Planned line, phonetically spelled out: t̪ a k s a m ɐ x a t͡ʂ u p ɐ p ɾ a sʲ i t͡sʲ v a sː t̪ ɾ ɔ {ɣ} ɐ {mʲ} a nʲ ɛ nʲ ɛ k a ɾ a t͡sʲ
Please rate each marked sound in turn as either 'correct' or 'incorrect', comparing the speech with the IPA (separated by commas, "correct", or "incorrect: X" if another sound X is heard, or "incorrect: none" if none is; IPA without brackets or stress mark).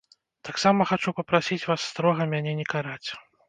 correct, correct